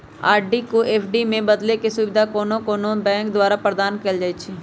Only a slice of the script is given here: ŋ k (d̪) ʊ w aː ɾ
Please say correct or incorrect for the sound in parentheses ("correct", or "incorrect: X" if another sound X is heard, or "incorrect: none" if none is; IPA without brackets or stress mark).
correct